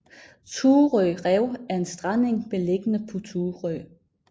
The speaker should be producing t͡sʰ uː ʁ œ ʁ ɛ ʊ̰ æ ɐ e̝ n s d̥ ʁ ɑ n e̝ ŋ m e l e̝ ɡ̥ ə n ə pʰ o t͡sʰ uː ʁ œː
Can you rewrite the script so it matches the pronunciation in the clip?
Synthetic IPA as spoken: t͡sʰ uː ʁ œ ʁ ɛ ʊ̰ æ ɐ e̝ n s d̥ ʁ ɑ n e̝ ŋ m e l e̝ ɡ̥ ə n ə pʰ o t͡sʰ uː ʁ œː